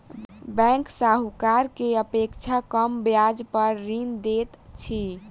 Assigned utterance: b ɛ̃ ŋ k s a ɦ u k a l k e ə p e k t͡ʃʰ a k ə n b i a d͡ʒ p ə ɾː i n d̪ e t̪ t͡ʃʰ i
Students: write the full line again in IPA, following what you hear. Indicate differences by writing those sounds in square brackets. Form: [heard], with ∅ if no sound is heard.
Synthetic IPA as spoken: b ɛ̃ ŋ k s a ɦ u k a [ɾ] k e ə p e k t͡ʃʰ a k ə [m] b [j] a d͡ʒ p ə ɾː i n d̪ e t̪ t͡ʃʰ i